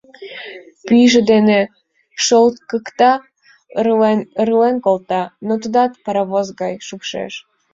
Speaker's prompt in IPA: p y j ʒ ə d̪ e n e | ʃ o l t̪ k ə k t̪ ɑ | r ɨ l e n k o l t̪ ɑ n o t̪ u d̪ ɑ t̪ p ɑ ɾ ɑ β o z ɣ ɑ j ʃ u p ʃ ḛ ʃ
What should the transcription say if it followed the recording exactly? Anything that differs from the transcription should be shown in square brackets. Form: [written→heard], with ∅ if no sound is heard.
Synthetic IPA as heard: p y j ʒ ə d̪ e n e | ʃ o l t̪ k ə k t̪ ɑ | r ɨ l e n k o l t̪ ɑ n o t̪ u d̪ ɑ t̪ p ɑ ɾ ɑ β o z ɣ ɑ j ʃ u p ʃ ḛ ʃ

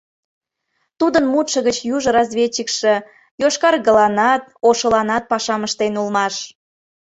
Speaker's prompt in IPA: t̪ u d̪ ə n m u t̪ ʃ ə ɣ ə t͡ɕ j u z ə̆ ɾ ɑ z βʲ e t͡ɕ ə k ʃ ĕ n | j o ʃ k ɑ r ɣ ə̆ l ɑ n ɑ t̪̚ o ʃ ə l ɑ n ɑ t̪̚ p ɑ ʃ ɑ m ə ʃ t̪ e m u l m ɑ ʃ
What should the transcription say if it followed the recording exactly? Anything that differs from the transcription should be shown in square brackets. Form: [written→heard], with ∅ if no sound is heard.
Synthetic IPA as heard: t̪ u d̪ ə n m u t̪ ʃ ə ɣ ə t͡ɕ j u [z→ʒ] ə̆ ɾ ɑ z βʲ e t͡ɕ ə k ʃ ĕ [n→∅] | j o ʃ k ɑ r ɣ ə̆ l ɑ n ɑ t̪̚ o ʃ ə l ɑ n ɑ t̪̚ p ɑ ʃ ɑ m ə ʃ t̪ e [m→n] u l m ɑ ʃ

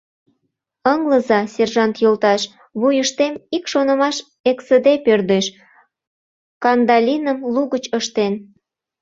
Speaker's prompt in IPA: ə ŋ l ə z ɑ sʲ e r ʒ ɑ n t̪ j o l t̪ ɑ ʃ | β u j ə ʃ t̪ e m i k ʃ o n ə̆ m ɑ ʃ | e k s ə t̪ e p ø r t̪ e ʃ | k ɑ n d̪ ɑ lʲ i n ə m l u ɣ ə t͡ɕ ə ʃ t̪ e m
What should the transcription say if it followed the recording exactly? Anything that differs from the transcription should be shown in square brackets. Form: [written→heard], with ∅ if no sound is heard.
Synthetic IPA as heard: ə ŋ l ə z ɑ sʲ e r ʒ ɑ n t̪ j o l t̪ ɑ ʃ | β u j ə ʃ t̪ e m i k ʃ o n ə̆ m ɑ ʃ | e k s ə [t̪→d̪] e p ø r [t̪→d̪] e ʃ | k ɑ n d̪ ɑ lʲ i n ə m l u ɣ ə t͡ɕ ə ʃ t̪ e [m→n]

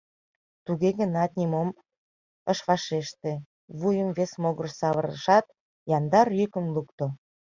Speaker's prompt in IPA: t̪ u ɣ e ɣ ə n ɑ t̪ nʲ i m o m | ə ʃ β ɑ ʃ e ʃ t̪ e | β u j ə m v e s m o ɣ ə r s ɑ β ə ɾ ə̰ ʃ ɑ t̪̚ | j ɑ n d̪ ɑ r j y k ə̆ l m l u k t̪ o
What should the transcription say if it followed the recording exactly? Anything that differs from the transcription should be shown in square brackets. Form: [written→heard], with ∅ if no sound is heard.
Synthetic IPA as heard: t̪ u ɣ e ɣ ə n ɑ t̪ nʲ i m o m | ə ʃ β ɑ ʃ e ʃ t̪ e | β u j ə m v e s m o ɣ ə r s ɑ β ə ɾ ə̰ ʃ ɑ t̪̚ | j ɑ n d̪ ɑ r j y k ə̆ [l→∅] m l u k t̪ o

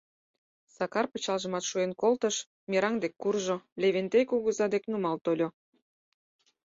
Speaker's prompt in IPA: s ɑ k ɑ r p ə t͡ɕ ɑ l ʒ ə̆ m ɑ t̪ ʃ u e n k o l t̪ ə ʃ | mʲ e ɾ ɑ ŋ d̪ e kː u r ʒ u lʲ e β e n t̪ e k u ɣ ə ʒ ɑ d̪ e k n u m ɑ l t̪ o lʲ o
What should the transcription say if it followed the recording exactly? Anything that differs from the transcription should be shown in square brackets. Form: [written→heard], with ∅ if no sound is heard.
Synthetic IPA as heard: s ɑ k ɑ r p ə t͡ɕ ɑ l ʒ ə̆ m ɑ t̪ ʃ u e n k o l t̪ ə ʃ | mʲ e ɾ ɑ ŋ d̪ e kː u r ʒ [u→o] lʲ e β e n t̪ e k u ɣ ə [ʒ→z] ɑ d̪ e k n u m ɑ l t̪ o lʲ o

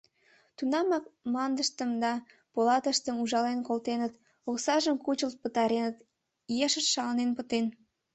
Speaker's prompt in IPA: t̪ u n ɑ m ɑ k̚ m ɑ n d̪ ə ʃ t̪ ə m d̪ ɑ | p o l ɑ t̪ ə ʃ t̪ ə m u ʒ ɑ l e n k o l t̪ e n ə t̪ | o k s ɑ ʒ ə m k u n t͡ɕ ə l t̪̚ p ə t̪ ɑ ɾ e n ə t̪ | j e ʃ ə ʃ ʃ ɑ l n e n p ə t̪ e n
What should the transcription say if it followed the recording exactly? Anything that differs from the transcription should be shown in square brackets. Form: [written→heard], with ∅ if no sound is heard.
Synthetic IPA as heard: t̪ u n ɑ m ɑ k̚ m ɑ n d̪ ə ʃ t̪ ə m d̪ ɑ | p o l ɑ t̪ ə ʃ t̪ ə m u ʒ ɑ l e n k o l t̪ e n ə t̪ | o k s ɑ ʒ ə m k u [n→∅] t͡ɕ ə l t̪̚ p ə t̪ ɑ ɾ e n ə t̪ | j e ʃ ə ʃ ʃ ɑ l n e n p ə t̪ e n

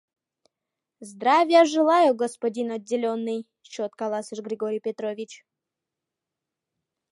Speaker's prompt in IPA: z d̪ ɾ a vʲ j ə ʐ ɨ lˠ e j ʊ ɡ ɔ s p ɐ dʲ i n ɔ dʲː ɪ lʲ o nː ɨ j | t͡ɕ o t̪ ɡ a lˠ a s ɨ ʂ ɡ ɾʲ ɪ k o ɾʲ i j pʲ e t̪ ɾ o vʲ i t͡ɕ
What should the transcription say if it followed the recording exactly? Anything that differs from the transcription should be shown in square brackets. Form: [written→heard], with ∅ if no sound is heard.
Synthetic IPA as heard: z d̪ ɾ a vʲ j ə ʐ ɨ lˠ [e→a] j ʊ ɡ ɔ s p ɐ dʲ i n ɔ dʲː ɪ lʲ o nː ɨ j | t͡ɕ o t̪ [ɡ→k] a lˠ a s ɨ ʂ ɡ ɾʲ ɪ [k→ɡ] o ɾʲ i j pʲ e t̪ ɾ o vʲ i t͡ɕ

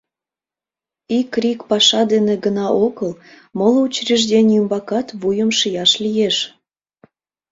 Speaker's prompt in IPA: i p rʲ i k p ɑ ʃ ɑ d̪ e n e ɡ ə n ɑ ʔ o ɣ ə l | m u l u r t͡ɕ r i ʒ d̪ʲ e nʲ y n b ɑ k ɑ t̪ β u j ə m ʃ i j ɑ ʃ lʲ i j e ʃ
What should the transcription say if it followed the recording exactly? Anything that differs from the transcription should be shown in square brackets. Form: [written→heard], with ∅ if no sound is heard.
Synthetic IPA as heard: i [p→k] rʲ i k p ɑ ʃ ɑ d̪ e n e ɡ ə n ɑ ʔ o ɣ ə l | m [u→o] l u [r→∅] t͡ɕ r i ʒ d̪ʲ e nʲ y [n→m] b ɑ k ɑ t̪ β u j ə m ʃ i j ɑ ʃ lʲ i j e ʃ

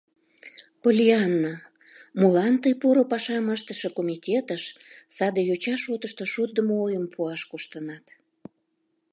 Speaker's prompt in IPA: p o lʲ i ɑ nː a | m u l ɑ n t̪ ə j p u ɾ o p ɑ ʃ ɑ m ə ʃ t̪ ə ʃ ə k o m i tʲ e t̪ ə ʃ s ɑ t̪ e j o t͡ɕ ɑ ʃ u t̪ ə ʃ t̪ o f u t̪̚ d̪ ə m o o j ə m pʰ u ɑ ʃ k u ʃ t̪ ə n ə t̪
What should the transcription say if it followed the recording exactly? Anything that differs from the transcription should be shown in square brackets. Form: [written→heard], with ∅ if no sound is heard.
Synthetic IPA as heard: p o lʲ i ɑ nː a | m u l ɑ n t̪ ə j p u ɾ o p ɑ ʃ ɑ m ə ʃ t̪ ə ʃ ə k o m i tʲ e t̪ ə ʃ s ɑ [t̪→d̪] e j o t͡ɕ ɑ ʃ [u→o] t̪ ə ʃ t̪ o [f→ʃ] u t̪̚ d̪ ə m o o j ə m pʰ u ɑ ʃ k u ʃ t̪ ə n [ə→ɑ] t̪

